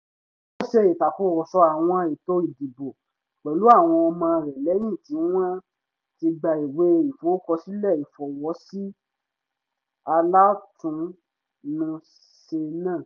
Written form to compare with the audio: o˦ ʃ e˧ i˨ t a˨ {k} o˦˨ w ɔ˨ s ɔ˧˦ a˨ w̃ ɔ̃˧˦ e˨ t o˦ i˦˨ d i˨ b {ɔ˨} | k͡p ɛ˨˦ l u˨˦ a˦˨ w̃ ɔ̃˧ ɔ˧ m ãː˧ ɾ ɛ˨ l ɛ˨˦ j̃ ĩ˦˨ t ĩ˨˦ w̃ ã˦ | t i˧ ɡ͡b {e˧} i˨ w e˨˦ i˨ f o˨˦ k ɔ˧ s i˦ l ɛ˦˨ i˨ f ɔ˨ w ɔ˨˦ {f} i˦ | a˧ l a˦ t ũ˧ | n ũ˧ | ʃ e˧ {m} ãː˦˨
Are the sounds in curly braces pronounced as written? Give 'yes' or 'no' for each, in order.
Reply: yes, no, no, no, no

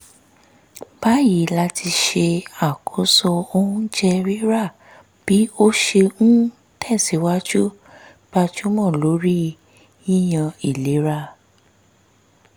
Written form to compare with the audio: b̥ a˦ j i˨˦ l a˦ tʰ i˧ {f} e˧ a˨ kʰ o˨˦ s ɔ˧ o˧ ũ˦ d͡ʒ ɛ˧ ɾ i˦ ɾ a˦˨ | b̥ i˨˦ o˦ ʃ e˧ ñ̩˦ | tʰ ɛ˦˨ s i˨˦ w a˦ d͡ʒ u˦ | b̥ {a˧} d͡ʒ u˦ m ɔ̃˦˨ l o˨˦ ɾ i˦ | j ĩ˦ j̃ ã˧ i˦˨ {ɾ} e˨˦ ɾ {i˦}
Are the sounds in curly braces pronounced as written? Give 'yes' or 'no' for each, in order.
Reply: no, yes, no, no

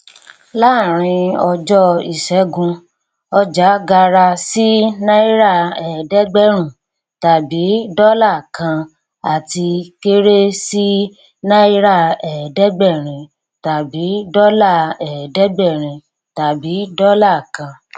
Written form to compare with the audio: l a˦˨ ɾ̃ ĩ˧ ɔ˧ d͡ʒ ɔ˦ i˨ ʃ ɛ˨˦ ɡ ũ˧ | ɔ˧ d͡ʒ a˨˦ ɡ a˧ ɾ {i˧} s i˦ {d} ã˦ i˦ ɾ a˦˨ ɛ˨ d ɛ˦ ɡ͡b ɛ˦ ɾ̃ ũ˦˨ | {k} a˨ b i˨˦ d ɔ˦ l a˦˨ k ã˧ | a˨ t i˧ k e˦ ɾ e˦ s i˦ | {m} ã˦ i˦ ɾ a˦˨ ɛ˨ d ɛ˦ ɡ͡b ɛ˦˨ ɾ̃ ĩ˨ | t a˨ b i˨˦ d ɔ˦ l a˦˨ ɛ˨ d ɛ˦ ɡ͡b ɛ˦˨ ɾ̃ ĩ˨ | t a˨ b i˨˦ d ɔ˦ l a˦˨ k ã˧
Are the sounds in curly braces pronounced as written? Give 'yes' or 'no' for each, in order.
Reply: no, no, no, no

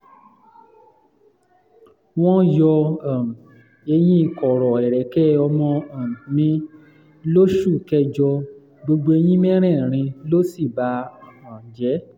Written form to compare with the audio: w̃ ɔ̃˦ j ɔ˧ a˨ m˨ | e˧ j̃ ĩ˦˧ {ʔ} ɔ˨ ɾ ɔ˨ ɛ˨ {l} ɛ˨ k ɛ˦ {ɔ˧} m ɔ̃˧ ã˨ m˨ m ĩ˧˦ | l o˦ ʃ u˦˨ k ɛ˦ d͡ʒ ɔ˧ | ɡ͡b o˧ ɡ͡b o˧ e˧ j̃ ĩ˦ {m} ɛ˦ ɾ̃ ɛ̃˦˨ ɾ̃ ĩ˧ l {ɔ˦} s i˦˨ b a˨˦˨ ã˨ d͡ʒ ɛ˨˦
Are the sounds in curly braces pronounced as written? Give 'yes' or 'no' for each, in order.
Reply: no, no, yes, yes, no

